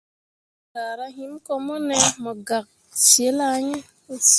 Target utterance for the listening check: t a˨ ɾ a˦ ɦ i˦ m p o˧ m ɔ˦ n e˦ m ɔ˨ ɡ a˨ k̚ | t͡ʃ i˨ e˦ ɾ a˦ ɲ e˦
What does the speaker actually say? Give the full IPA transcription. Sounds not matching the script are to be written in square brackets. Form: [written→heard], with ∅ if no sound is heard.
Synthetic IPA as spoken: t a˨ ɾ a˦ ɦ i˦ m [p→k] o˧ m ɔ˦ n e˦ m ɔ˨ ɡ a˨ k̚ | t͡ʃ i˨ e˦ [ɾ→l] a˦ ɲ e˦